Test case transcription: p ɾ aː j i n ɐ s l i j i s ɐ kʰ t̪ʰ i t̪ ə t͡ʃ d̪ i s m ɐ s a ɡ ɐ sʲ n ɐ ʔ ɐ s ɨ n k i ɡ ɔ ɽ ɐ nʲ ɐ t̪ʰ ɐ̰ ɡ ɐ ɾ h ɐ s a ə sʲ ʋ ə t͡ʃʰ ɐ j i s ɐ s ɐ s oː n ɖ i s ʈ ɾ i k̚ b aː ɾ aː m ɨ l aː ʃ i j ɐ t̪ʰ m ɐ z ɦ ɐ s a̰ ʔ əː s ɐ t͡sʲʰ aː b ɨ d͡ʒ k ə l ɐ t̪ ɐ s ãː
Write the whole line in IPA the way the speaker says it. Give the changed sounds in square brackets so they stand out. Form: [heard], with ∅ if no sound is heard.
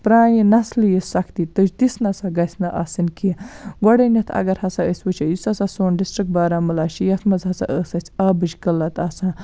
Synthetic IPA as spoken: p ɾ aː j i n ɐ s l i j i s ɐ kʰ [t̪] i t̪ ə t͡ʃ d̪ i s [n] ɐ s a ɡ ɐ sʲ n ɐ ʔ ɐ s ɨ n k i ɡ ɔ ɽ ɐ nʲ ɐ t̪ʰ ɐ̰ ɡ ɐ ɾ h ɐ s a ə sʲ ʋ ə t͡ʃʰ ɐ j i s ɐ s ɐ s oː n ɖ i s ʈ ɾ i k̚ b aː ɾ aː m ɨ l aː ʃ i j ɐ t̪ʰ m ɐ z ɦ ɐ s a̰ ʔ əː s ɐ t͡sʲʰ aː b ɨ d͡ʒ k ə l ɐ t̪ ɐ s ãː